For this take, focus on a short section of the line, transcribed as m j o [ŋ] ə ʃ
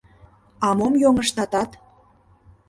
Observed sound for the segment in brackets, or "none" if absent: ŋ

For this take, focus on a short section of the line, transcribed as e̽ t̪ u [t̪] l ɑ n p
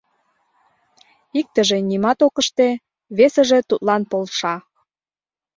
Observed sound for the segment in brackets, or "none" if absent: t̪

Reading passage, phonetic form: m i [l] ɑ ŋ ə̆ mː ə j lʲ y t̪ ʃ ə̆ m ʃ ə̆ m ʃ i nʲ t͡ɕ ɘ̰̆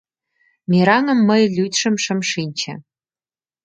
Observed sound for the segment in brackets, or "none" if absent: ɾ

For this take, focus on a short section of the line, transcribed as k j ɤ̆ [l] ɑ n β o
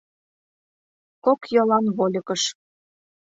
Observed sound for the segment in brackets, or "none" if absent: l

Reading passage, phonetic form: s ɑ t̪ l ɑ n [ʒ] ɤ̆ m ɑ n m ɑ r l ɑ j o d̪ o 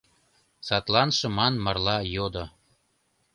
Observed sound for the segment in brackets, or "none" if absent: ʃ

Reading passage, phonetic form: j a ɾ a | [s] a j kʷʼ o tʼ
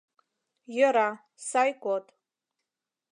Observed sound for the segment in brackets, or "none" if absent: s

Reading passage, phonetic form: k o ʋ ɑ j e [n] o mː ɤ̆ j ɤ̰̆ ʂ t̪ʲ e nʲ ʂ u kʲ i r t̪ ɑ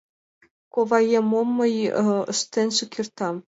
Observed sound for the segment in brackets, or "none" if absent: m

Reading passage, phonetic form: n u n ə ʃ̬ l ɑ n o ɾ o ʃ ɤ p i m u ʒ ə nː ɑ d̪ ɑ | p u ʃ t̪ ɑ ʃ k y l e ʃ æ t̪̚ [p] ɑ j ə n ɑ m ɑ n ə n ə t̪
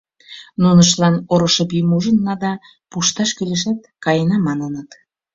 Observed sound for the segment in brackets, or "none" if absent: k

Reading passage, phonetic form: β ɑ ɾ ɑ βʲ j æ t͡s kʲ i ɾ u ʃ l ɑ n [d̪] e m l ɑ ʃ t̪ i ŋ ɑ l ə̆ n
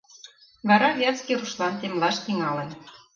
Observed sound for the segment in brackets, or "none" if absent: t̪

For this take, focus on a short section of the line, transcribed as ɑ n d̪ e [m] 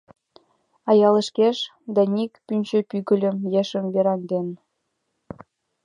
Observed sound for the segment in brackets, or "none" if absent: n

